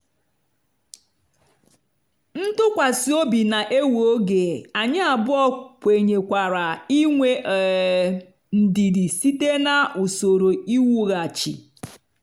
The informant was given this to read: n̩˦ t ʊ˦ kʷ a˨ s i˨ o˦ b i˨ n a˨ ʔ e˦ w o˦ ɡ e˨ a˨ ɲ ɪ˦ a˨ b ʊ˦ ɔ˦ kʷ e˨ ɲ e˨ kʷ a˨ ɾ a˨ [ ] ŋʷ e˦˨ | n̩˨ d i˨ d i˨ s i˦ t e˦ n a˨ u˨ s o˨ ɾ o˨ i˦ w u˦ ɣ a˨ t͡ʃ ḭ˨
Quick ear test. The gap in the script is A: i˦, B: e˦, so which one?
A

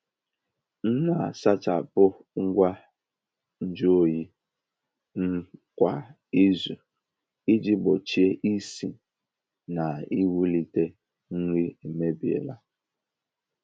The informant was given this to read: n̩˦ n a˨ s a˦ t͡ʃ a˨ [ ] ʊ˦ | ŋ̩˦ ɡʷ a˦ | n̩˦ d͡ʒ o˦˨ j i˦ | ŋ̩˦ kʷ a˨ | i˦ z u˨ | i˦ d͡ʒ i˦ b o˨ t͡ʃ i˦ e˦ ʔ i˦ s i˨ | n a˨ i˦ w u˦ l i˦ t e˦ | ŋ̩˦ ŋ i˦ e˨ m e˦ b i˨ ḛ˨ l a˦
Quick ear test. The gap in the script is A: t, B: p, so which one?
B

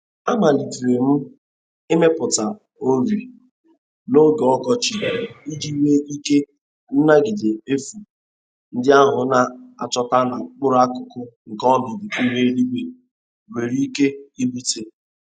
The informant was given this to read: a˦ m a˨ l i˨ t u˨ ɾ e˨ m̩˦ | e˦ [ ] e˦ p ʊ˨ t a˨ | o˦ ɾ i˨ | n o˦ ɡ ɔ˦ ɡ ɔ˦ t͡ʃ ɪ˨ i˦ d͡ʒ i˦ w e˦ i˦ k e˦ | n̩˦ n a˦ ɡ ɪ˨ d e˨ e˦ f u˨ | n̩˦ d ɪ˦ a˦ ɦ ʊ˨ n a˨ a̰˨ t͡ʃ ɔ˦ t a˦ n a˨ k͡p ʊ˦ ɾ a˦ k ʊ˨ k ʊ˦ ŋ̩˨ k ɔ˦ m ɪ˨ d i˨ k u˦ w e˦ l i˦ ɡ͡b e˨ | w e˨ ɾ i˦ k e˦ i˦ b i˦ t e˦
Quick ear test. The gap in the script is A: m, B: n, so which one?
A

